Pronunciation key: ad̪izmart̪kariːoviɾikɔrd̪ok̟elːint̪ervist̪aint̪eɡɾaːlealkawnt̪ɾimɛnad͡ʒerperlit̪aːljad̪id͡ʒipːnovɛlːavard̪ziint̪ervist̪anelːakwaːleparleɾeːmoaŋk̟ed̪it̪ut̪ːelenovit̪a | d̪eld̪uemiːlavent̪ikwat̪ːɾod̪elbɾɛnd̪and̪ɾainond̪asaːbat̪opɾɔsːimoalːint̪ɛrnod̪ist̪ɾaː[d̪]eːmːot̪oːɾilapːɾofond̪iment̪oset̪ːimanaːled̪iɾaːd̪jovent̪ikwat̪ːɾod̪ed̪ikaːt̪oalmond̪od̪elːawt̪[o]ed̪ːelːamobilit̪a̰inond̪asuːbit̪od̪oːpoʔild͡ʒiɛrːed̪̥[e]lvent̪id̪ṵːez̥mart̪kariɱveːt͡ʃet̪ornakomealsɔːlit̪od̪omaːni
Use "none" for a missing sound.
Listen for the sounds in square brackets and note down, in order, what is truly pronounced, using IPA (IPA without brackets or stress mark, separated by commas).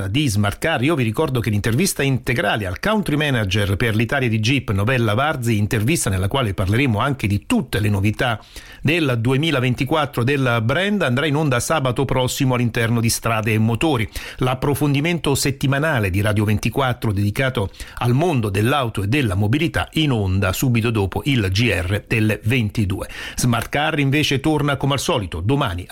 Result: d̪, o, e